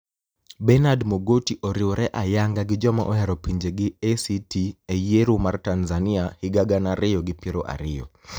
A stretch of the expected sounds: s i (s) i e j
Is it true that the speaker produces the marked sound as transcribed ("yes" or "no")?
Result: no